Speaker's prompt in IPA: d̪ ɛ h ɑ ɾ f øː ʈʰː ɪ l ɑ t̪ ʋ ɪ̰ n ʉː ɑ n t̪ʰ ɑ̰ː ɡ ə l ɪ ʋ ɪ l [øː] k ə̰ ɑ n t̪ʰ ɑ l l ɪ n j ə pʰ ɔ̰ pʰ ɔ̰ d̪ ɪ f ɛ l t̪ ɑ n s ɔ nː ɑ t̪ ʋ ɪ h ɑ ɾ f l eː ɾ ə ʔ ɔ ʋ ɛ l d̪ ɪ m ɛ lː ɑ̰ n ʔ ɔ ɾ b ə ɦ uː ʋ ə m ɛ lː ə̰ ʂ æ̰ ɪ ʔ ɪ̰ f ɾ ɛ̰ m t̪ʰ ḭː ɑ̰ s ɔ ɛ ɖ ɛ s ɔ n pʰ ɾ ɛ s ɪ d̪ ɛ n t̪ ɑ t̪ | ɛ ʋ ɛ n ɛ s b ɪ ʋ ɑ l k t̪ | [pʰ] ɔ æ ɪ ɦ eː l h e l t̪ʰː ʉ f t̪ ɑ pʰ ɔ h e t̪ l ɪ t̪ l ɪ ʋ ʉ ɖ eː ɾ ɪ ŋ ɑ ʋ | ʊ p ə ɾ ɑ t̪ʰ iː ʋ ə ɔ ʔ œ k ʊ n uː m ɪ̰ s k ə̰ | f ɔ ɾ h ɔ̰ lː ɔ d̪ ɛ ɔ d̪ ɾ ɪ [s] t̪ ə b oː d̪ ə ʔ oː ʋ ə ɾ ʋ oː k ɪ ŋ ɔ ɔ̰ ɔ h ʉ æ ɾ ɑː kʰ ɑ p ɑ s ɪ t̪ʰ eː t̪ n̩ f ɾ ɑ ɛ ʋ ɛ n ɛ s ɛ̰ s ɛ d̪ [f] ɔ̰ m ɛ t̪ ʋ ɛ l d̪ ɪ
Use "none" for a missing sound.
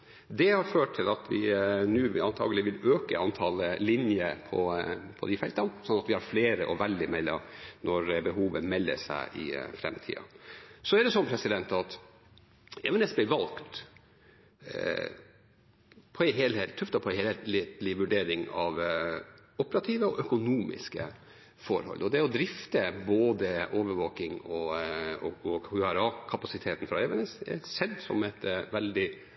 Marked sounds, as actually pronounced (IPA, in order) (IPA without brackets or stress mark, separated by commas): øː, pʰ, f, s